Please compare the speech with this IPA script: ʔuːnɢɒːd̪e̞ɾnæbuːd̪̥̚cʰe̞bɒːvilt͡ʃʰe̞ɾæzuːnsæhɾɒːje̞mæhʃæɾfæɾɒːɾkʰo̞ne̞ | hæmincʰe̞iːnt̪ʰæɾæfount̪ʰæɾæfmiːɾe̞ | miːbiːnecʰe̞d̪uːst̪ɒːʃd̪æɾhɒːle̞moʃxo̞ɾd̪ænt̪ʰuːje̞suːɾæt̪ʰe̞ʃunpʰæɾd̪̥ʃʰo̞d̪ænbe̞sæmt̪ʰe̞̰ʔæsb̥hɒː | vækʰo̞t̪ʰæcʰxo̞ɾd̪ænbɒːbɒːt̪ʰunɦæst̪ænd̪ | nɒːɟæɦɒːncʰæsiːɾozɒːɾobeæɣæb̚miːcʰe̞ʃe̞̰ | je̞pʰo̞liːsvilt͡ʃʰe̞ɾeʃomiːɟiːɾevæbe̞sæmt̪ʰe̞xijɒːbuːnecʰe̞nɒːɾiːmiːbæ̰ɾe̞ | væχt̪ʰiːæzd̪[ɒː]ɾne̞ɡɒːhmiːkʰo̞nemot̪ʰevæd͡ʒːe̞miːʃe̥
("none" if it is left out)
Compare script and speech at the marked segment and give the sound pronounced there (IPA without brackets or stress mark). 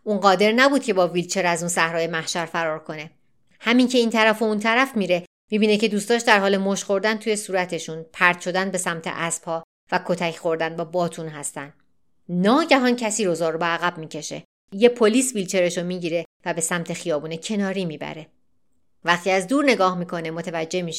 uː